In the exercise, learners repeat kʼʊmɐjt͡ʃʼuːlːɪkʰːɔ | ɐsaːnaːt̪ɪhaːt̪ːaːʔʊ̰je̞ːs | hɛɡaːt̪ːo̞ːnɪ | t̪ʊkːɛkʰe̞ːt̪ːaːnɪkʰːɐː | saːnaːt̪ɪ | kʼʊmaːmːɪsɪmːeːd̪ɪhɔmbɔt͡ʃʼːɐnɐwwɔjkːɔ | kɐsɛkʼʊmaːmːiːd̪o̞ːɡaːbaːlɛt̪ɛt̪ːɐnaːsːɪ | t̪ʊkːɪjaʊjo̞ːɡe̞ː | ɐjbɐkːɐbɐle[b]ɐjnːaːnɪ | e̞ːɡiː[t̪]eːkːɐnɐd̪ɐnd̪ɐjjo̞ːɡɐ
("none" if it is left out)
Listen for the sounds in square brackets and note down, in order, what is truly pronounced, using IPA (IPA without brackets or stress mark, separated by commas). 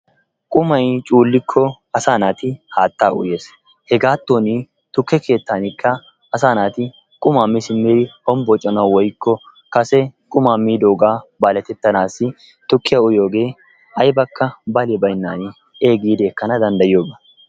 b, d̪